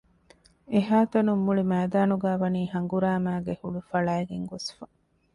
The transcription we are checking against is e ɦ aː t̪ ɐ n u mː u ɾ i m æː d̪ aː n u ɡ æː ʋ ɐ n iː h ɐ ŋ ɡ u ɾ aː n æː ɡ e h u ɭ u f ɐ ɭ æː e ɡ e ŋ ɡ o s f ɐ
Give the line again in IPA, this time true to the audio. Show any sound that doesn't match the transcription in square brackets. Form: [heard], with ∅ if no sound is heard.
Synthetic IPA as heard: e ɦ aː t̪ ɐ n u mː u [ɭ] i m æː d̪ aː n u ɡ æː ʋ ɐ n iː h ɐ ŋ ɡ u ɾ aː [m] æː ɡ e h u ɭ u f ɐ ɭ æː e ɡ e ŋ ɡ o s f ɐ